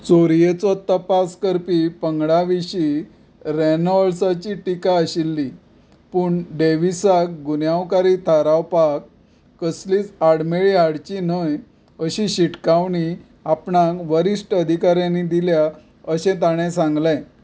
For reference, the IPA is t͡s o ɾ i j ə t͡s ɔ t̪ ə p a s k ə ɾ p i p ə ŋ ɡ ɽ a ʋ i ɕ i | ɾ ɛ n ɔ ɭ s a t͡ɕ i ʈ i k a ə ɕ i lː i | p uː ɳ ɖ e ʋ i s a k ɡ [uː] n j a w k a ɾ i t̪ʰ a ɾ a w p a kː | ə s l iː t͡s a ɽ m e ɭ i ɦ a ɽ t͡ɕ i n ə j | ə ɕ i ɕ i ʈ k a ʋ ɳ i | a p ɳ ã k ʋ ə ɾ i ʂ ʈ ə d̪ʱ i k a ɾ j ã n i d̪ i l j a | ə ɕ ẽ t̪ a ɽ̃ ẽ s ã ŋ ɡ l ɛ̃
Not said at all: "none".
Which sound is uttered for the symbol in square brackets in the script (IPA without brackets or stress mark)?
u